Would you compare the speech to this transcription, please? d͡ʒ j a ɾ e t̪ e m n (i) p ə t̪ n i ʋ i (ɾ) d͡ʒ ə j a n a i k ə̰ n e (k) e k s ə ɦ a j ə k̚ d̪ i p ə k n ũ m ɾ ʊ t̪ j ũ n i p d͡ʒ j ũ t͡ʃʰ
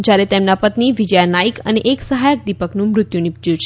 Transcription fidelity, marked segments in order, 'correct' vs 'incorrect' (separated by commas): incorrect, incorrect, incorrect